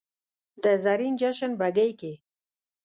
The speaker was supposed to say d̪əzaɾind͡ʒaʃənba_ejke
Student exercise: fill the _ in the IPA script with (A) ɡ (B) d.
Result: A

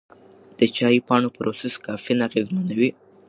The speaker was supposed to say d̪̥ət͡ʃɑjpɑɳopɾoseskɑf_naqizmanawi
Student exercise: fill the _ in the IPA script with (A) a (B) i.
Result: B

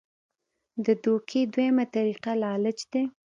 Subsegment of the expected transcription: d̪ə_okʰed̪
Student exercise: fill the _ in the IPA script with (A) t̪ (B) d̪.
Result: B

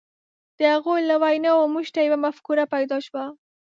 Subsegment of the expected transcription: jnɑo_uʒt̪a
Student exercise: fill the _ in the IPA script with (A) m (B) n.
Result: A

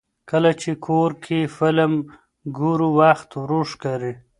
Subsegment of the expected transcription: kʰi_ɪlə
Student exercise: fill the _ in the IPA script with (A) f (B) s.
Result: A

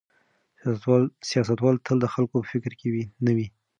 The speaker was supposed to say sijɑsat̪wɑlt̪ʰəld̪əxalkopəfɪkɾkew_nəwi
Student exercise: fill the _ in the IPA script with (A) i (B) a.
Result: A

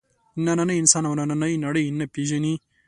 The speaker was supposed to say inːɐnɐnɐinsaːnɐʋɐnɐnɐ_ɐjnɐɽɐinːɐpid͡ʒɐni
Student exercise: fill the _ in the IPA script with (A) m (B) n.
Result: B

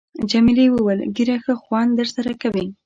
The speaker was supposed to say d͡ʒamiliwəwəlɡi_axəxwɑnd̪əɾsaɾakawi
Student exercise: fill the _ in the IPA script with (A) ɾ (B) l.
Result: A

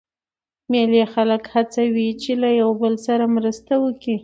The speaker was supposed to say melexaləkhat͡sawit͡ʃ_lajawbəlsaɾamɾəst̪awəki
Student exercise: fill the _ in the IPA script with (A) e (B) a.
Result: A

